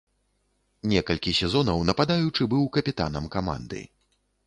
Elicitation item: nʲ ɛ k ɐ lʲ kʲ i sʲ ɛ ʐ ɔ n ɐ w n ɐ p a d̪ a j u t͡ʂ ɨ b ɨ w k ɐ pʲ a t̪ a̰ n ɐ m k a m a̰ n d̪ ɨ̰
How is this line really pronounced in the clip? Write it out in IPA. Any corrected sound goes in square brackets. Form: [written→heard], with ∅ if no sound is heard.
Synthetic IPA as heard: nʲ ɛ k ɐ lʲ kʲ i sʲ ɛ [ʐ→z] ɔ n ɐ w n ɐ p a d̪ a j u t͡ʂ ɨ b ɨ w k ɐ pʲ [a→i] t̪ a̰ n ɐ m k a m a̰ n d̪ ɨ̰